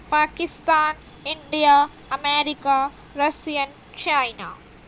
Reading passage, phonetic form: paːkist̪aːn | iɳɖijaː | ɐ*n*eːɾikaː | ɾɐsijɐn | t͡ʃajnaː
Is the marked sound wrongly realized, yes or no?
yes